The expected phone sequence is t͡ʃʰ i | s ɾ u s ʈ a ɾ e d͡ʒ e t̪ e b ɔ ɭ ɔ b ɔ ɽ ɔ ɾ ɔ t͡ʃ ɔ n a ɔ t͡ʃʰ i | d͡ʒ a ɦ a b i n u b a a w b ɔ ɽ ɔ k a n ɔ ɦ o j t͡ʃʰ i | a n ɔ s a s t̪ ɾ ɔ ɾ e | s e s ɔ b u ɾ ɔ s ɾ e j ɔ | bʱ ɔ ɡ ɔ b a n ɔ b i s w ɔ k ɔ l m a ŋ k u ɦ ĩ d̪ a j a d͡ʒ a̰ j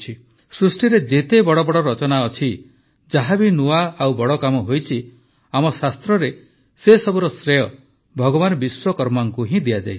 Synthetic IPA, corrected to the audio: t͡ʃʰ i | s ɾ u s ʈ i ɾ e d͡ʒ e t̪ e b ɔ ɽ ɔ b ɔ ɽ ɔ ɾ ɔ t͡ʃ ɔ n a ɔ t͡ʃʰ i | d͡ʒ a ɦ a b i n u a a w b ɔ ɽ ɔ k a m ɔ ɦ o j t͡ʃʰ i | a m ɔ s a s t̪ ɾ ɔ ɾ e | s e s ɔ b u ɾ ɔ s ɾ e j ɔ | bʱ ɔ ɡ ɔ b a n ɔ b i s w ɔ k ɔ ɾ m a ŋ k u ɦ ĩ d̪ i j a d͡ʒ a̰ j